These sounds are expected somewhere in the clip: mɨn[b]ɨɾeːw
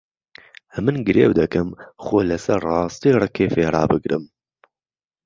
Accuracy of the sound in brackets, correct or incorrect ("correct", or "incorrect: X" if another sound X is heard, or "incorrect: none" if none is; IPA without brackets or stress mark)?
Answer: incorrect: ɡ